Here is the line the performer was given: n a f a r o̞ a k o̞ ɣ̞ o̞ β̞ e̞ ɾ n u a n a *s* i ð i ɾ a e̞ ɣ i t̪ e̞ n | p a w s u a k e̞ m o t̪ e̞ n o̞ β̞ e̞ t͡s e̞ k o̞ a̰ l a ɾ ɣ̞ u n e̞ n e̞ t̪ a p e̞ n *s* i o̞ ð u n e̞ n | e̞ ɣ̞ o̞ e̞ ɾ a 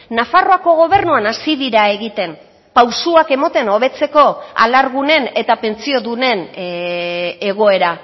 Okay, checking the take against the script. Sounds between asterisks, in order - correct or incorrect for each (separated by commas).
correct, incorrect